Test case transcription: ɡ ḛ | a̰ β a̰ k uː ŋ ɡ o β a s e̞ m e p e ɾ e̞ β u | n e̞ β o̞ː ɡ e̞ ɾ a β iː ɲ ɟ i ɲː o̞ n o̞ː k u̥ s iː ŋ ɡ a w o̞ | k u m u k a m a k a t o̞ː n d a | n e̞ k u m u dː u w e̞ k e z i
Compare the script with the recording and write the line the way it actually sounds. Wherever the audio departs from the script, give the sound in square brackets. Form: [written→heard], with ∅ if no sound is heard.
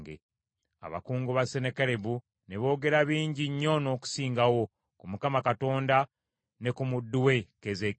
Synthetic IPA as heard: ɡ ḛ | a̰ β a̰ k uː ŋ ɡ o β a s e̞ [m→n] e [p→k] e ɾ e̞ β u | n e̞ β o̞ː ɡ e̞ ɾ a β iː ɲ ɟ i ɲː o̞ n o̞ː k u̥ s iː ŋ ɡ a w o̞ | k u m u k a m a k a t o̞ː n d a | n e̞ k u m u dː u w e̞ k e z [i→e]